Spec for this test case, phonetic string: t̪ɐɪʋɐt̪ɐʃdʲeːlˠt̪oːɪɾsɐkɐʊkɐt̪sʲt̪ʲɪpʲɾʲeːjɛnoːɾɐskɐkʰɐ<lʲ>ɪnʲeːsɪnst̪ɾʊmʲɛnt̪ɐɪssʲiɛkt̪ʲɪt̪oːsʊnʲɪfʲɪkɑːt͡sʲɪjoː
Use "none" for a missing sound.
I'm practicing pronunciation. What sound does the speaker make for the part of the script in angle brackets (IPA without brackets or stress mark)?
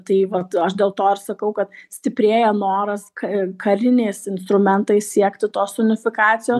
ɾʲ